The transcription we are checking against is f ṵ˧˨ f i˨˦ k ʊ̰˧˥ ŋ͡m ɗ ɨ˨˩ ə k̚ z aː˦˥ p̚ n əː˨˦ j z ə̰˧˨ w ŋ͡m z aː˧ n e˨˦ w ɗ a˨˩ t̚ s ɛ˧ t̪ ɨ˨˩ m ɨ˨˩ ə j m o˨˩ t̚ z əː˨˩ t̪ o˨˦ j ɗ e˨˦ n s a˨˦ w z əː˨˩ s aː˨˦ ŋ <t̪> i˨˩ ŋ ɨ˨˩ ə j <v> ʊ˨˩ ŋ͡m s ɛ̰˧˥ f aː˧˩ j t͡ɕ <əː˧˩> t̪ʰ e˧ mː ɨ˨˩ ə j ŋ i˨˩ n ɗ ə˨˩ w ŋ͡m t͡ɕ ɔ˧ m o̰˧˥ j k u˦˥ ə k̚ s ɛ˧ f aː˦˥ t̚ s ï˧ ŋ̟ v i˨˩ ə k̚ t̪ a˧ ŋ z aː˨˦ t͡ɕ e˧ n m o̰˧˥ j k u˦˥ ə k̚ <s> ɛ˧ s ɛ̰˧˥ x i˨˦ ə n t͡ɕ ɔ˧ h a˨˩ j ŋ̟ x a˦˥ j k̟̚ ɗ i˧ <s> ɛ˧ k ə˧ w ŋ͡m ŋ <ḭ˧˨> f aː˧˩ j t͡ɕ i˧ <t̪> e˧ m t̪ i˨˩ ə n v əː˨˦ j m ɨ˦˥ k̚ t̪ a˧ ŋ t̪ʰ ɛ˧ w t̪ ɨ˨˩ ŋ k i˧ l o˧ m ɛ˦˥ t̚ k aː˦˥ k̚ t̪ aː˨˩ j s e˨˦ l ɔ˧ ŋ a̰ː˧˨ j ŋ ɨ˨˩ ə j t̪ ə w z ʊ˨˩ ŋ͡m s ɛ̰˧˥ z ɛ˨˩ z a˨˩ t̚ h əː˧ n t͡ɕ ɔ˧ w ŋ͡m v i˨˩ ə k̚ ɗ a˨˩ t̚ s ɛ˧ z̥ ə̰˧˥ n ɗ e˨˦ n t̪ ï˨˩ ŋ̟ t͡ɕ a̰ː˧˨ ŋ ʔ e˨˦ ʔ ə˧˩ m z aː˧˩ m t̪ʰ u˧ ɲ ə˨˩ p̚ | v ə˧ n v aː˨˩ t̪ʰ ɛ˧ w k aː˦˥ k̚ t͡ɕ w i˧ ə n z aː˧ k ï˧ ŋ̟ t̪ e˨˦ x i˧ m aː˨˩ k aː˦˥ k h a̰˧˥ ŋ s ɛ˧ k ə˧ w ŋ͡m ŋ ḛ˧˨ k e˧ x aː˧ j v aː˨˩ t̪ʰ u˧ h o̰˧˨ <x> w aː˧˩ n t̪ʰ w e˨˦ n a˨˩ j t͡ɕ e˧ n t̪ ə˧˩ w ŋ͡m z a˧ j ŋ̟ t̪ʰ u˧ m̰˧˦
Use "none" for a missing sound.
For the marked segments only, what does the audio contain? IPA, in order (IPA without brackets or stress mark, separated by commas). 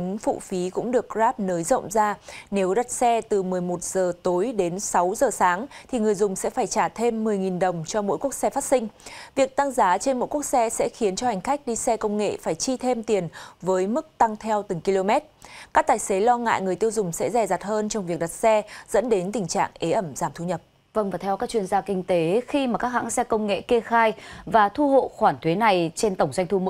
t̪ʰ, z, aː˧˩, s, s, ḛ˧˨, t̪ʰ, x